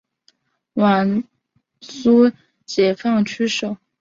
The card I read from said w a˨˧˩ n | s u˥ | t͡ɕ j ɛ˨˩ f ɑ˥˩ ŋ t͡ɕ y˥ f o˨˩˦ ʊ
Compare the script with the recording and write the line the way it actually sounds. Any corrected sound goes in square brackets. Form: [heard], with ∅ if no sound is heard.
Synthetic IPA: w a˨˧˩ n | s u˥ | t͡ɕ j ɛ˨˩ f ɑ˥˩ ŋ [t͡ɕʰ] y˥ [ʂ] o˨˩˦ ʊ